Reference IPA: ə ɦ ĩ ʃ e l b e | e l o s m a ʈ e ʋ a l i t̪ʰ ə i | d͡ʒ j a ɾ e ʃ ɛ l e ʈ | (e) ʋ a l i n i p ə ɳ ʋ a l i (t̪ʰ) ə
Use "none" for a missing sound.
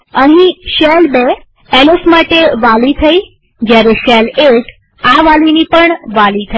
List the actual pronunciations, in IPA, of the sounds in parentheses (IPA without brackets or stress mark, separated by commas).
a, t̪ʰ